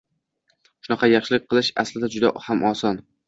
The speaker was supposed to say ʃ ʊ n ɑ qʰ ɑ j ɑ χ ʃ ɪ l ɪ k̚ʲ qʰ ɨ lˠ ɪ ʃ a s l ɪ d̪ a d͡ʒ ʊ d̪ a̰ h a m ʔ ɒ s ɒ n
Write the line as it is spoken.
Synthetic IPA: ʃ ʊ n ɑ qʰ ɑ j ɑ χ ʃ ɪ l ɪ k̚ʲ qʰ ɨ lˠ ɪ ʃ a s l ɪ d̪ a d͡ʒ ʊ d̪ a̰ h a m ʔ ɒ s ɒ n

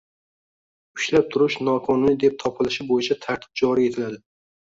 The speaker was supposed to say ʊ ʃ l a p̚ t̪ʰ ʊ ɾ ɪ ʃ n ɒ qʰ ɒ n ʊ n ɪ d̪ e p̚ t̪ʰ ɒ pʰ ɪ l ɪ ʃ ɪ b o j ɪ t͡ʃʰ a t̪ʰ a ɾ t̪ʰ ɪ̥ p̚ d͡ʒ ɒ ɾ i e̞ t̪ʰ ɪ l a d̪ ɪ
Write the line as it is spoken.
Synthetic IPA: ʊ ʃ l a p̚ t̪ʰ ʊ ɾ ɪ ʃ n ɒ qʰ ɒ n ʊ n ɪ d̪ e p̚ t̪ʰ ɒ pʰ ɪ l ɪ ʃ ɪ b o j ɪ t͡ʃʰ a t̪ʰ a ɾ t̪ʰ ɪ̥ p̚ d͡ʒ ɒ ɾ i e̞ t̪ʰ ɪ l a d̪ ɪ

